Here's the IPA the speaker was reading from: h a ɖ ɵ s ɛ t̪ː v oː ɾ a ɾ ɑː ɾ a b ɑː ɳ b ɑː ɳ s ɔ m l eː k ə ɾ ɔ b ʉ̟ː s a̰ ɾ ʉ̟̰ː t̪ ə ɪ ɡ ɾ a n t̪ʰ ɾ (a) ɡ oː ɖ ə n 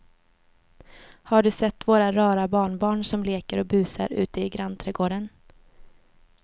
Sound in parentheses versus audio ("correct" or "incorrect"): incorrect